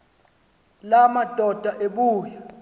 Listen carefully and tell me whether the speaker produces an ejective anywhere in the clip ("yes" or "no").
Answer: no